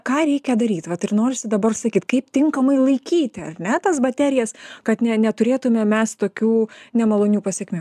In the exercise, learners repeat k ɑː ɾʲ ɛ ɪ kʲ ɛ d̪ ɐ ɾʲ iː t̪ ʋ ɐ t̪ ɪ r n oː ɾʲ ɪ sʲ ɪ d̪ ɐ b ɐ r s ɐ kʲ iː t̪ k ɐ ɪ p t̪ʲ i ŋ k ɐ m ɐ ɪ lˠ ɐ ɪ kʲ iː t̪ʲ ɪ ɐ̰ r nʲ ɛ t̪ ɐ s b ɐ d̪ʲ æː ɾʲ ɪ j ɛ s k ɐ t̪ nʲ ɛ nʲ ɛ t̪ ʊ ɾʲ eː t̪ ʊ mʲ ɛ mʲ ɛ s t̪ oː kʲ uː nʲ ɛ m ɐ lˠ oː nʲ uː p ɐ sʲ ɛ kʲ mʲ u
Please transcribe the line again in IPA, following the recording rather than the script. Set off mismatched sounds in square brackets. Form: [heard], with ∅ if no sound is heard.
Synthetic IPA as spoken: k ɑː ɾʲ ɛ ɪ kʲ ɛ d̪ ɐ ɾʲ iː t̪ ʋ ɐ t̪ ɪ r n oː ɾʲ ɪ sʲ ɪ d̪ ɐ b ɐ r s ɐ kʲ iː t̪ k ɐ ɪ p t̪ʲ [ɪ] ŋ k ɐ m ɐ ɪ lˠ ɐ ɪ kʲ iː t̪ʲ ɪ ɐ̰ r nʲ ɛ t̪ ɐ s b ɐ [t̪ʲ] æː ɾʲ ɪ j ɛ s k ɐ t̪ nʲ ɛ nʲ ɛ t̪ ʊ ɾʲ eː t̪ ʊ mʲ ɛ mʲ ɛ s t̪ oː kʲ uː nʲ ɛ m ɐ lˠ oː nʲ uː p ɐ sʲ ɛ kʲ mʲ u